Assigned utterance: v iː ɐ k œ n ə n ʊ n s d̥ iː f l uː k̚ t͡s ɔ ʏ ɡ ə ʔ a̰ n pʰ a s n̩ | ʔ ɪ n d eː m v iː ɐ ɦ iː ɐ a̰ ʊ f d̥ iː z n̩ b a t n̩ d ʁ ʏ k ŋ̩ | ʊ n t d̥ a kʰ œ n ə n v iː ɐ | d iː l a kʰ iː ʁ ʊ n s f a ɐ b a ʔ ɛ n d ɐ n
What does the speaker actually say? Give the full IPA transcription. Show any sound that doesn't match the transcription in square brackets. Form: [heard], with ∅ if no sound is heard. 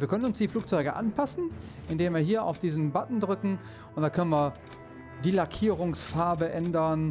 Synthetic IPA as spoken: v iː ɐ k œ n ə n ʊ n s d̥ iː f l uː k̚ t͡s ɔ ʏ ɡ ə ʔ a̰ n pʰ a s n̩ | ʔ ɪ n d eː m v iː ɐ ɦ iː ɐ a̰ ʊ f d̥ iː z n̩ b a t n̩ d ʁ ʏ k ŋ̩ | ʊ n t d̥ a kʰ œ n ə n v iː ɐ | d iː l a kʰ iː ʁ ʊ [ŋ] s f a ɐ b [ə] ʔ ɛ n d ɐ n